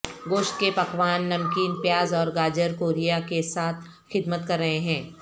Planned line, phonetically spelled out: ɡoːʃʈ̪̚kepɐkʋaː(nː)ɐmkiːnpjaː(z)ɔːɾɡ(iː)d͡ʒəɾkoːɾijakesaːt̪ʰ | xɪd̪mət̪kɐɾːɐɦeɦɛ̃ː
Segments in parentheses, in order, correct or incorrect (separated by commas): correct, correct, incorrect